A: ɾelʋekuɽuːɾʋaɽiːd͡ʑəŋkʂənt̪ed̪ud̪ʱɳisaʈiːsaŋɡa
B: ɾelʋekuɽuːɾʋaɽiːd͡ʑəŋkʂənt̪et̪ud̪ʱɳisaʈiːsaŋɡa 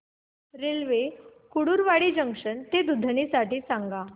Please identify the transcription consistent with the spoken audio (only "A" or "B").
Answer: A